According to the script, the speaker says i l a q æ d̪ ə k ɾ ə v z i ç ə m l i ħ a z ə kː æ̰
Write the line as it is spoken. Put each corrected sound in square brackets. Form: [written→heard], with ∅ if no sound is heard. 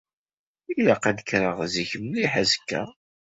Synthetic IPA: i l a q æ d̪ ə k ɾ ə [v→ʁ] z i ç ə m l i ħ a z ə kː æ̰